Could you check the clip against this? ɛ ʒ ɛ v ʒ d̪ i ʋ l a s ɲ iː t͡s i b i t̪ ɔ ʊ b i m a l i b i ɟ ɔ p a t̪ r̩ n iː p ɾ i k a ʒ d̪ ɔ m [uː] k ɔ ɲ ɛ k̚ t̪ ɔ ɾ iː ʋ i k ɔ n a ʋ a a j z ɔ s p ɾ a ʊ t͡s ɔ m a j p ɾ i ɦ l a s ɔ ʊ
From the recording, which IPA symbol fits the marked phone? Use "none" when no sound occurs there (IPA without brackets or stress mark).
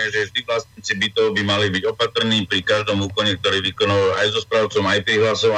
uː